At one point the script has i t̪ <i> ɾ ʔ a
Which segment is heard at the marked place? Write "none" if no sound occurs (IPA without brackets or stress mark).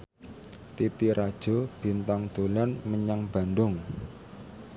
i